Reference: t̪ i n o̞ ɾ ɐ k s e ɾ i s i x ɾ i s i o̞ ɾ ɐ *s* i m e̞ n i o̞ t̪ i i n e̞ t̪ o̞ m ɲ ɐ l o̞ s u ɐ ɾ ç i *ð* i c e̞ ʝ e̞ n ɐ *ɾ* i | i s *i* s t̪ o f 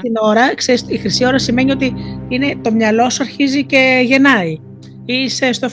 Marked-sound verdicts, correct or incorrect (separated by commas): correct, incorrect, incorrect, incorrect